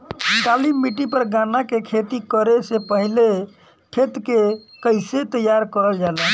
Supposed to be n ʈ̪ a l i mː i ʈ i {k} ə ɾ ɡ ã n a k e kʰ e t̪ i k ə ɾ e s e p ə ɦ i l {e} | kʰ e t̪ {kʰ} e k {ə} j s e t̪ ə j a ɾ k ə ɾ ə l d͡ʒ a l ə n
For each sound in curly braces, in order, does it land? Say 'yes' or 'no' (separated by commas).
no, yes, no, yes